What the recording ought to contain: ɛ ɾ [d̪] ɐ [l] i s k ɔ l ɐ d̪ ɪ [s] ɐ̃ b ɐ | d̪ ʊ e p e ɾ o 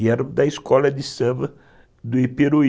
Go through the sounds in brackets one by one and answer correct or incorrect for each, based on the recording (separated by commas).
correct, incorrect, correct